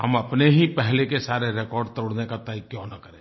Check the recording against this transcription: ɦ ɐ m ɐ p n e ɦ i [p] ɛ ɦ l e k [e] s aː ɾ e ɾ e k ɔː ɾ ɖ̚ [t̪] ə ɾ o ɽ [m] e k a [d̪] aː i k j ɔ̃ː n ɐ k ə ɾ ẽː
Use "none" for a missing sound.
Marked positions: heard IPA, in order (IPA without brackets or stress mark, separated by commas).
p, e, t̪, n, t̪